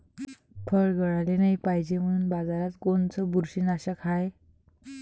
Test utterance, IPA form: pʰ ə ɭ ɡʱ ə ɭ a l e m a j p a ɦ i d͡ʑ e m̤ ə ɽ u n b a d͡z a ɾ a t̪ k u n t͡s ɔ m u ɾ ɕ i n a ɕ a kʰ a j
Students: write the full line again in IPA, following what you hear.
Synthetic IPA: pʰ ə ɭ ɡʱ ə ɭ a l e n a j p a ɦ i d͡ʑ e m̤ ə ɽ u n b a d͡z a ɾ a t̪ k o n t͡s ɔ b u ɾ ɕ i n a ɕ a kʰ a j

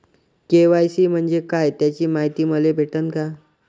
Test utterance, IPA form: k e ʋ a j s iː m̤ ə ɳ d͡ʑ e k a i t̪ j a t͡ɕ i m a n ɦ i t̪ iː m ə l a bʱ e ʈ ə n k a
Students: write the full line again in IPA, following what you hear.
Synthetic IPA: k e ʋ a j s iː m̤ ə ɳ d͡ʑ e k a j t̪ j a t͡ɕ iː m a ɦ i t̪ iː m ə l e bʱ e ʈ ə n k a

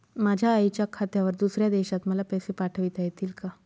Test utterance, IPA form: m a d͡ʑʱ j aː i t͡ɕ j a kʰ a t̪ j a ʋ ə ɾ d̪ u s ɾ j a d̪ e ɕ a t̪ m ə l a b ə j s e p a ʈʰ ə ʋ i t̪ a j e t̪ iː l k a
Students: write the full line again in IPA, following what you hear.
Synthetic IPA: m a d͡ʑʱ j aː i t͡ɕ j a kʰ a t̪ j a ʋ ə ɾ d̪ u s ɾ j a d̪ e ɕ a t̪ m ə l a p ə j s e p a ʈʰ ə ʋ i t̪ a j e t̪ iː l k a

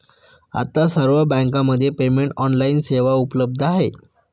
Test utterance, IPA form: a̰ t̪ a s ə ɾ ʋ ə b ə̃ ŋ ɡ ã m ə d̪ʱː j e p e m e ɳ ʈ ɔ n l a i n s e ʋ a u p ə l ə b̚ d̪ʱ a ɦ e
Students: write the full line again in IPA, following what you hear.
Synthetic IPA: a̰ t̪ a s ə ɾ ʋ ə b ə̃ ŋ k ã m ə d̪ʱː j e p e m e ɳ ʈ ɔ n l a i n s e ʋ a u p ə l ə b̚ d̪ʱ a ɦ e

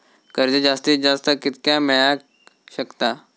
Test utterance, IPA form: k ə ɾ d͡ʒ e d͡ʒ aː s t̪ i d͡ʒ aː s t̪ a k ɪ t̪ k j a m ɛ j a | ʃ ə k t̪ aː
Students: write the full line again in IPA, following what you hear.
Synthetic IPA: k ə ɾ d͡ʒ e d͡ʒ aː s t̪ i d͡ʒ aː s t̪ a k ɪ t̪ k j a m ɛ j a | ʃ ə k t̪ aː

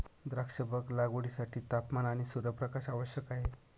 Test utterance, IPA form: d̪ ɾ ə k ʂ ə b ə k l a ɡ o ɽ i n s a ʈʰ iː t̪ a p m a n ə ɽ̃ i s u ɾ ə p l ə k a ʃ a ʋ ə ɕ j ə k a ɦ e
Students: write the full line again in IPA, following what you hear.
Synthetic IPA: d̪ ɾ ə k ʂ ə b ə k l a ɡ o ɽ i s a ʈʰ iː t̪ a p m a n a ɽ̃ i s u ɾ ə p ɾ ə k a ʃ a ʋ ə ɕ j ə k a ɦ e

